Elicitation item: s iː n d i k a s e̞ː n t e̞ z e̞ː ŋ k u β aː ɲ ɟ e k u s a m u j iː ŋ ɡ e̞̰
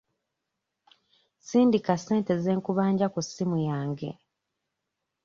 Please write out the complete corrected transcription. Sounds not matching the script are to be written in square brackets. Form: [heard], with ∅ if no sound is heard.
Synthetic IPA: s iː n d i k a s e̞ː n t e̞ z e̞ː ŋ k u β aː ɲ ɟ [a] k u s [i] m u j [aː] ŋ ɡ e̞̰